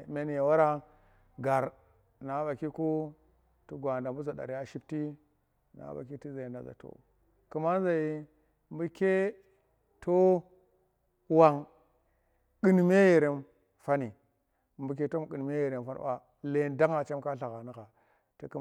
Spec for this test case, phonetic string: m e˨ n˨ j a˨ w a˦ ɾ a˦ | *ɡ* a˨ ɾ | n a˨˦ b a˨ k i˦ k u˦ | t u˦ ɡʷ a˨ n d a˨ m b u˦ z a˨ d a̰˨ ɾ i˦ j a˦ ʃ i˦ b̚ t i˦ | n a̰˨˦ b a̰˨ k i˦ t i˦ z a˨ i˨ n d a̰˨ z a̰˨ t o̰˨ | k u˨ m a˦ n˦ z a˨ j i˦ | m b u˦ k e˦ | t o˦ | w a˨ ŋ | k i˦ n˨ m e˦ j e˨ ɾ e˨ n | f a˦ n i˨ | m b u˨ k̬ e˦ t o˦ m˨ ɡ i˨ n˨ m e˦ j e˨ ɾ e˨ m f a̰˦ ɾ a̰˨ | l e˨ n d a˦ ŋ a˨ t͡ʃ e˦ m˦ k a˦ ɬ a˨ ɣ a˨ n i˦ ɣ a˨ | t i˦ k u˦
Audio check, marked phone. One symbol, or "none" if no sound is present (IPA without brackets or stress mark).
ɡ